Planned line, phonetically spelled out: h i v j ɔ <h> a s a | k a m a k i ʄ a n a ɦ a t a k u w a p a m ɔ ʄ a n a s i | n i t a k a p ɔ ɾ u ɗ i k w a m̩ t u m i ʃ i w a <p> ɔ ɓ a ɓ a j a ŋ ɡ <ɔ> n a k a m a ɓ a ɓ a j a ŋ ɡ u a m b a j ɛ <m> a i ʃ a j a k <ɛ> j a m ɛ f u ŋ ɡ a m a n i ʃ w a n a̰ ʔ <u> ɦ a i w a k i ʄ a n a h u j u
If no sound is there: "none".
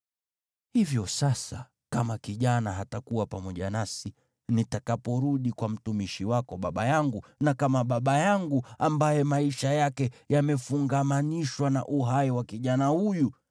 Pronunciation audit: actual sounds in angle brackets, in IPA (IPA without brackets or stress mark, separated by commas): s, k, u, m, ɛ, u